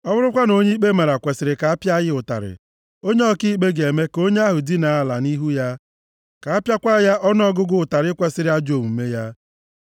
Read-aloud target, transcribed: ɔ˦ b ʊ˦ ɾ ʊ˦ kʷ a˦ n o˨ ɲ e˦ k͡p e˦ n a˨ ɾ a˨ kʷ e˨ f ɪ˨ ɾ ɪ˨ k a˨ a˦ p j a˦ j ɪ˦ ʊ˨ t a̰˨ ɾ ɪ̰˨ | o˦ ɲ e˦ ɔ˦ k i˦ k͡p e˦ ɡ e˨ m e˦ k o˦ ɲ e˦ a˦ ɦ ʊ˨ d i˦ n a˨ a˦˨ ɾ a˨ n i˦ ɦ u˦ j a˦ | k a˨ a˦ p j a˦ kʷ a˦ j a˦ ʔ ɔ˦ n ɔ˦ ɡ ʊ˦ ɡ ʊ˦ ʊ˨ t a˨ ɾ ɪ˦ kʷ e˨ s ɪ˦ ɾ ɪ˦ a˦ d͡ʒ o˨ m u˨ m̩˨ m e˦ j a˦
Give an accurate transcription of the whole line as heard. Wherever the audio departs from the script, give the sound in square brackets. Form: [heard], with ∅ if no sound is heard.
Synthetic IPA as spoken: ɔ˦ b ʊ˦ ɾ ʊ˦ kʷ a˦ n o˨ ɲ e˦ k͡p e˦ [m] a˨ ɾ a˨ kʷ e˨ [s] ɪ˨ ɾ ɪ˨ k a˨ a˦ p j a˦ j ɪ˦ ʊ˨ t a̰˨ ɾ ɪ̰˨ | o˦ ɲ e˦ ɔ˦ k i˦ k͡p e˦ ɡ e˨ m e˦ k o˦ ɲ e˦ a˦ ɦ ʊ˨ d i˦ n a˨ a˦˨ [l] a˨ n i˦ ɦ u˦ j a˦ | k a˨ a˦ p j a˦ kʷ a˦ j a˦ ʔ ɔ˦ n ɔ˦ ɡ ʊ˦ ɡ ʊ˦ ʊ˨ t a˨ ɾ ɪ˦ kʷ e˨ s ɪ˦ ɾ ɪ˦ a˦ d͡ʒ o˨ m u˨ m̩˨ m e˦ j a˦